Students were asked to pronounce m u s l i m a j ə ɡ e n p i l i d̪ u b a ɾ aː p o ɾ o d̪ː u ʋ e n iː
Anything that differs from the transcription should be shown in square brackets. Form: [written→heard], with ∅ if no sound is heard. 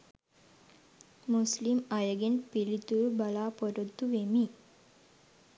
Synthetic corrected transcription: m u s l i m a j ə ɡ e n p i l i [d̪→t̪] u b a [ɾ→l] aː p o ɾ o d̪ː u ʋ e [n→m] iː